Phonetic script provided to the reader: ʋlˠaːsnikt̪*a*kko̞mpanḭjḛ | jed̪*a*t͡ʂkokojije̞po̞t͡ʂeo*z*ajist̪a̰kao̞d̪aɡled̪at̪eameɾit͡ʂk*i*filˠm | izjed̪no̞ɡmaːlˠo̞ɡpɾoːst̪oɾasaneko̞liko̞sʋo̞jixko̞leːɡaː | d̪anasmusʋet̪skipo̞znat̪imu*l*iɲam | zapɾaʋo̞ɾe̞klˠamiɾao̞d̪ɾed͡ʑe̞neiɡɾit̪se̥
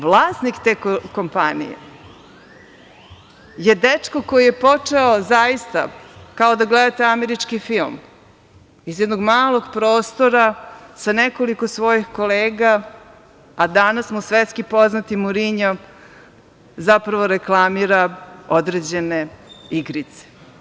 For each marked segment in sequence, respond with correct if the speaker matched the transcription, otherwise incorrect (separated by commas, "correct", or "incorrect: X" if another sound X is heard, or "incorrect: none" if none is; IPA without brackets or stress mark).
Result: incorrect: e, incorrect: e, correct, correct, incorrect: ɾ